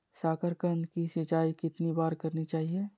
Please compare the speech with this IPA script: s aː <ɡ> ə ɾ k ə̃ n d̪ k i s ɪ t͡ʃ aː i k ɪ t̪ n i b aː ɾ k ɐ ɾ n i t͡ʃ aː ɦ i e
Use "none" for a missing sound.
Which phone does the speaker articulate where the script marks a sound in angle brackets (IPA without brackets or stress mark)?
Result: k